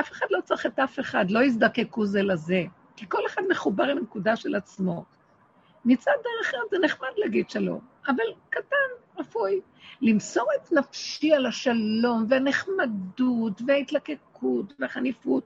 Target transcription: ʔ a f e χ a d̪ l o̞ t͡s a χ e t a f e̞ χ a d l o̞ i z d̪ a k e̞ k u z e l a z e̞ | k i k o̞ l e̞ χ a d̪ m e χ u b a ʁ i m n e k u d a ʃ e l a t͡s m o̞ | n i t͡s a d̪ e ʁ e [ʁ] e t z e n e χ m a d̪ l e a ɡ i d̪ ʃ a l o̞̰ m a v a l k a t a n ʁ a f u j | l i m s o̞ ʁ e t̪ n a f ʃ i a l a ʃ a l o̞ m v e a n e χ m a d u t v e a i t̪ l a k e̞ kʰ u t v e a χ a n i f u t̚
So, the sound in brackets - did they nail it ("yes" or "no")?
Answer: no